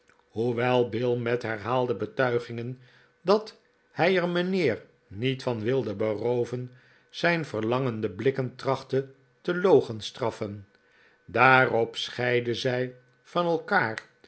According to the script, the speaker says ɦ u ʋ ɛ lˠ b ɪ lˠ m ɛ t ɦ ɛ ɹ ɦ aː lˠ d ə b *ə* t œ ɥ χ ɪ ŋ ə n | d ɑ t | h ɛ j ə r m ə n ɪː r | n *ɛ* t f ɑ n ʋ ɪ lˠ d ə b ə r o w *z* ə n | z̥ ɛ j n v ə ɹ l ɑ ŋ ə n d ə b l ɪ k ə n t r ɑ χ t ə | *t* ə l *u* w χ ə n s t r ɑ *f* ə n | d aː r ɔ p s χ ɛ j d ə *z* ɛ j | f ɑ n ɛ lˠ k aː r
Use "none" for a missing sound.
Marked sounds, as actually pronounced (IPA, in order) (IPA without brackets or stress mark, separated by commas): ə, i, v, t, o, f, z